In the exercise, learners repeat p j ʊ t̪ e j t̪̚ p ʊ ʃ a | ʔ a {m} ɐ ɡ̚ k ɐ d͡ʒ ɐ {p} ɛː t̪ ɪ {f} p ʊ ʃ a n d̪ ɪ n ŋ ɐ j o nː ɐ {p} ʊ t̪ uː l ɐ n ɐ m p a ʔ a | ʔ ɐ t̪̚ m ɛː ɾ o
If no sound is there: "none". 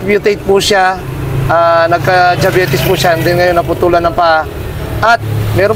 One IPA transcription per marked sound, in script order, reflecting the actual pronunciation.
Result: n, b, s, p

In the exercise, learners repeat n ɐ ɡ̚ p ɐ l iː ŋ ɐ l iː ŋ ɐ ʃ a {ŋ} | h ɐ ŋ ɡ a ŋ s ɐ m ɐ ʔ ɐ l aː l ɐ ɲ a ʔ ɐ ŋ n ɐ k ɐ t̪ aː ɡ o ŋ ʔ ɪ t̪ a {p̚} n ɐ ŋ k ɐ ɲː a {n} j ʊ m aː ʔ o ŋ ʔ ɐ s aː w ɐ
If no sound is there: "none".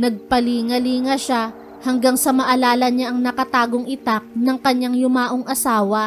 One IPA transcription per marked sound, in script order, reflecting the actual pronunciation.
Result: none, k̚, ŋ

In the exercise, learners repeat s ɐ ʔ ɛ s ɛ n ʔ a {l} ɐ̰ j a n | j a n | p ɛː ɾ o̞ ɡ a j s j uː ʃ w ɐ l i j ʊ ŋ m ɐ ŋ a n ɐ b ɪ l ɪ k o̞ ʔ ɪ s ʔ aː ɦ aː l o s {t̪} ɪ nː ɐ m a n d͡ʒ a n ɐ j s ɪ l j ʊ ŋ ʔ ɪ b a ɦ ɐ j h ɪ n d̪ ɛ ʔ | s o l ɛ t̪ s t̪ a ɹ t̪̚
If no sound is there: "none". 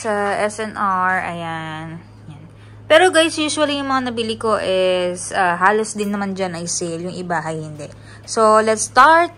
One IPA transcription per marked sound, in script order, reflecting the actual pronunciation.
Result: ɹ, d̪

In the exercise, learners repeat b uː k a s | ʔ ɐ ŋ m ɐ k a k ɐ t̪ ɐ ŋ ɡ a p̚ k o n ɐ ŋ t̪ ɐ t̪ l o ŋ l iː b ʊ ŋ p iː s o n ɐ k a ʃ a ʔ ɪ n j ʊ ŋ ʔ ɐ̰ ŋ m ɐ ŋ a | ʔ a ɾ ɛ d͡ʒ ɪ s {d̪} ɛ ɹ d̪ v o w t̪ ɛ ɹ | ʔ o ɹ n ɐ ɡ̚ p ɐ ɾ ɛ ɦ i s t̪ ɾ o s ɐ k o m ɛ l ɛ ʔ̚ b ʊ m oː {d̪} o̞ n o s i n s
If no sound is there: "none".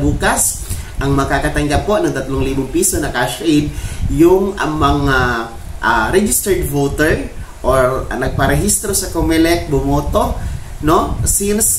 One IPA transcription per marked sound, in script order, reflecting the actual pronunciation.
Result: t̪, t̪

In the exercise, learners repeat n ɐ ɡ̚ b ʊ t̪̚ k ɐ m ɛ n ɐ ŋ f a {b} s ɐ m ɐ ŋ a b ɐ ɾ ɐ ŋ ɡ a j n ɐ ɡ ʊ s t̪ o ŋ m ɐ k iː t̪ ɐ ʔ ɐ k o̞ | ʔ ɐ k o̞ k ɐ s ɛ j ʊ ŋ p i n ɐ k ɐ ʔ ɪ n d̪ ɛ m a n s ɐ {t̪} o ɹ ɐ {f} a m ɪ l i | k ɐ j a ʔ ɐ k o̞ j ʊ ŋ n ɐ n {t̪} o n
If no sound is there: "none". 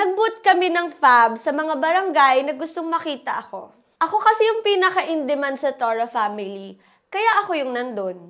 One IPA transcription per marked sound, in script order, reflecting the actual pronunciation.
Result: b, t̪, f, d̪

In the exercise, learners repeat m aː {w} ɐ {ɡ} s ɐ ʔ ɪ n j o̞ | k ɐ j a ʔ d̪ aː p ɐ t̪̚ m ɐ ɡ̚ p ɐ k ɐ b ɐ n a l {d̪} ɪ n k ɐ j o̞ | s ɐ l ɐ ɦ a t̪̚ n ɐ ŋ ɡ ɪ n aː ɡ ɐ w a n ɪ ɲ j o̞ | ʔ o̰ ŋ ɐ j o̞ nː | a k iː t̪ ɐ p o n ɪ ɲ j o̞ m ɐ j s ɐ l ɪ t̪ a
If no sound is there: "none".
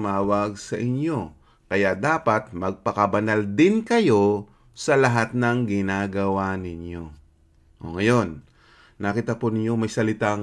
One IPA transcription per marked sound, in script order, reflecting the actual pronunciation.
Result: w, ɡ, d̪

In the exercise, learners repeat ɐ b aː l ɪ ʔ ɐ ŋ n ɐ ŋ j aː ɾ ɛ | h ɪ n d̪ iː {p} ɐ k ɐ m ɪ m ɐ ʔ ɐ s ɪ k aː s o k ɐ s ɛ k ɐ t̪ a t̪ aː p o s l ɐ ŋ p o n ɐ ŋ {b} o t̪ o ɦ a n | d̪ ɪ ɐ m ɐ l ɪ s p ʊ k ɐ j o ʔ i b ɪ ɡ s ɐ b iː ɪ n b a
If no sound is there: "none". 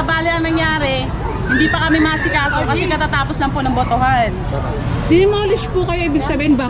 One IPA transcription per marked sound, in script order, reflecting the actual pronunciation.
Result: p, b

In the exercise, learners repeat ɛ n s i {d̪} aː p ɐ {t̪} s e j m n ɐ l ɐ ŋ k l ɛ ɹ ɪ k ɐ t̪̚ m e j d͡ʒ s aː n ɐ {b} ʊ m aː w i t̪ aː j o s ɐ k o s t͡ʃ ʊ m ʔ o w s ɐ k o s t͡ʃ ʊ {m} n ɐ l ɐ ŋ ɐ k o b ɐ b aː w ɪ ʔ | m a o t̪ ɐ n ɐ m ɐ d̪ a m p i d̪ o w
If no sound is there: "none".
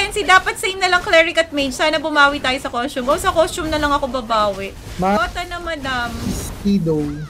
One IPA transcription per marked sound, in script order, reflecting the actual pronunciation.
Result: d̪, t̪, b, m

